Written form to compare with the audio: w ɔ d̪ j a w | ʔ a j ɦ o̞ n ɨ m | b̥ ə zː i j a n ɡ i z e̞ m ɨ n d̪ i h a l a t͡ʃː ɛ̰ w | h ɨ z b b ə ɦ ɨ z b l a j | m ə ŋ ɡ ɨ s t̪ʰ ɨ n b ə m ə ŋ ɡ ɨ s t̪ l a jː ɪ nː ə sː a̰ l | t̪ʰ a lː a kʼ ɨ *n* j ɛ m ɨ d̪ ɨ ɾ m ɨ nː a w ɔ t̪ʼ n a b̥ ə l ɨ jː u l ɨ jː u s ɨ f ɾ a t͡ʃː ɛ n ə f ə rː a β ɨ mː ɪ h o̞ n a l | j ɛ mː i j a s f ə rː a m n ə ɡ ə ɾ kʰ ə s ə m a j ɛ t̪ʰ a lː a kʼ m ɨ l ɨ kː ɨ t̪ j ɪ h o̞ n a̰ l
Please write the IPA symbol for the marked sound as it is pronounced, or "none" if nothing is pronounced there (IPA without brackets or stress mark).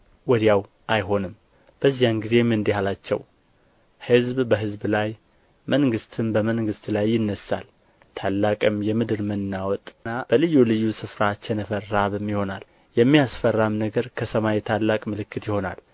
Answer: m